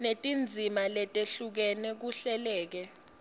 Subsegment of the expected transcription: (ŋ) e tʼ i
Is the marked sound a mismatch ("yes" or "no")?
yes